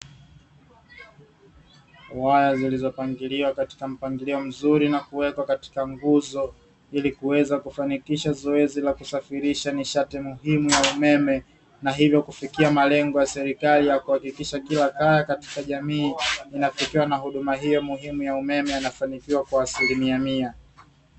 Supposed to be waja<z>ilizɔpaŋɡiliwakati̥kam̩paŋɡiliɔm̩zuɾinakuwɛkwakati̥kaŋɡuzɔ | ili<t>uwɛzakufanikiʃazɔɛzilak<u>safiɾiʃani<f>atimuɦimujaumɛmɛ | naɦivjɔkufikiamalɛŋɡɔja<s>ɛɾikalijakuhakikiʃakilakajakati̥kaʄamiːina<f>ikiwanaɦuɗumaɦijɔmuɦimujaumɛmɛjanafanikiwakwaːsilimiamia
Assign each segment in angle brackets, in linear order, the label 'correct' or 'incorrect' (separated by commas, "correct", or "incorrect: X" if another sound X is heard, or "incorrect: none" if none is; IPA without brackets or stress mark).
correct, incorrect: k, correct, incorrect: ʃ, correct, correct